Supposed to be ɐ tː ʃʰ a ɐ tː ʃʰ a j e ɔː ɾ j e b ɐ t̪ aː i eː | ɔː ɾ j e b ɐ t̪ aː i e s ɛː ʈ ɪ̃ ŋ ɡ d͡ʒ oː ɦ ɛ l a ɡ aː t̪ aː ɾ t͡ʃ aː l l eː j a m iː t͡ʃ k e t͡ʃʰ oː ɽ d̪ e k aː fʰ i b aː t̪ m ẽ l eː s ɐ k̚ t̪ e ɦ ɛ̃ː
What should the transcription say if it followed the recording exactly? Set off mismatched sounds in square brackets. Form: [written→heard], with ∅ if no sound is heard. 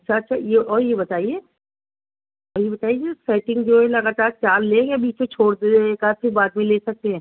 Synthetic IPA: ɐ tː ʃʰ a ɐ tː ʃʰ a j e ɔː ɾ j e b ɐ t̪ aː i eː | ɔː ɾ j e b ɐ t̪ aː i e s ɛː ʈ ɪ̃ ŋ ɡ d͡ʒ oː ɦ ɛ l [a→ɐ] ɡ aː t̪ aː ɾ t͡ʃ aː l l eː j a [m→b] iː t͡ʃ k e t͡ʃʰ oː ɽ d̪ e k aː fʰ i b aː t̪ m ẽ l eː s ɐ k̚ t̪ e ɦ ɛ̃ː